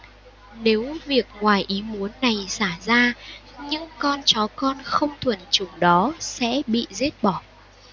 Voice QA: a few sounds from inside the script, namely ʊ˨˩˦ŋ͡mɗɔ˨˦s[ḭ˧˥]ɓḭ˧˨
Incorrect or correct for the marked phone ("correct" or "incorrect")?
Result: incorrect